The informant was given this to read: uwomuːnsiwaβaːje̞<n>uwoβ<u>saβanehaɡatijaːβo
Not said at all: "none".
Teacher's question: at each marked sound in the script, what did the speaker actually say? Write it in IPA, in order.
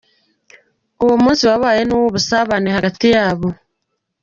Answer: n, u

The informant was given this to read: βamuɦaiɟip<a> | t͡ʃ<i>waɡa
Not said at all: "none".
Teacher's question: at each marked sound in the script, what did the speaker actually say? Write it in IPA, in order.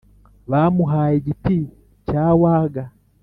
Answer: i, a

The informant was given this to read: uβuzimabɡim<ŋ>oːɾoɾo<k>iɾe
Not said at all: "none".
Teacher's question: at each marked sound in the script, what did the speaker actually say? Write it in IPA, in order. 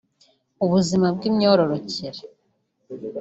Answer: ɲ, c

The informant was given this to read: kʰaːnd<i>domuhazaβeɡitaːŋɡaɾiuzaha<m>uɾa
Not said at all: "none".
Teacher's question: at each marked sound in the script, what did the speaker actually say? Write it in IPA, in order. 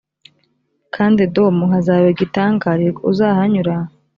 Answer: i, ɲ

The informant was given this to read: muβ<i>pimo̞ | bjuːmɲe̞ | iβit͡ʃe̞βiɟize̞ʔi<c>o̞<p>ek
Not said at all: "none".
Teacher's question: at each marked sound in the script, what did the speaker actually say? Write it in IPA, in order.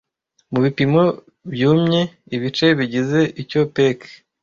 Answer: i, c, p

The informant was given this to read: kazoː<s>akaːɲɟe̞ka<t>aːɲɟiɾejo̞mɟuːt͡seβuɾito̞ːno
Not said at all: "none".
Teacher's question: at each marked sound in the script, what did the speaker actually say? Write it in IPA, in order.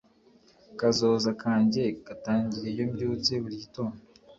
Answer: z, t

